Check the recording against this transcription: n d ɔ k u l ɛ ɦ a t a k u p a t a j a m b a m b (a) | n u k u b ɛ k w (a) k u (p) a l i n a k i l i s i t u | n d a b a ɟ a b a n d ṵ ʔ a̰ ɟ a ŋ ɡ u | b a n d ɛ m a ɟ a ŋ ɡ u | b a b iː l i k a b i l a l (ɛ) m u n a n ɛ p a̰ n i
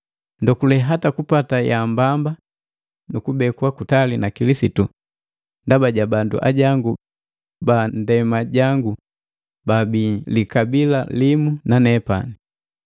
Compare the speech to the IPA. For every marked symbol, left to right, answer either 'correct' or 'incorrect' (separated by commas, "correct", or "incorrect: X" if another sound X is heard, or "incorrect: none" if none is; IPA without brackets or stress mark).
correct, correct, incorrect: t, incorrect: i